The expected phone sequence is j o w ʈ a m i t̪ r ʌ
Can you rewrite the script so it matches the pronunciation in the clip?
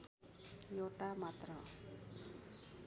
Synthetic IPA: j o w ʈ a m a t̪ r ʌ